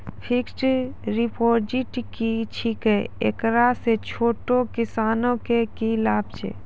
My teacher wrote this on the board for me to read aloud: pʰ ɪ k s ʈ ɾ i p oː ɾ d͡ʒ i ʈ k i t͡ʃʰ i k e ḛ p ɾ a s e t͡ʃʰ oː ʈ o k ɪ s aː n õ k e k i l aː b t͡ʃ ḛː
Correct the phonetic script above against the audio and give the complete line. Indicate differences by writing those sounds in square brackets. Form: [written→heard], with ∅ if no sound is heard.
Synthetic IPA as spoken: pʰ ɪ k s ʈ ɾ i p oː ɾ d͡ʒ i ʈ k i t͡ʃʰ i k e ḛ [p→k] ɾ a s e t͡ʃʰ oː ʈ o k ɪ s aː n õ k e k i l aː b t͡ʃ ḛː